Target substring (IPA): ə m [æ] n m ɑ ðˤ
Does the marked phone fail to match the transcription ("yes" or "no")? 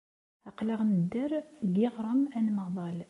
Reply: no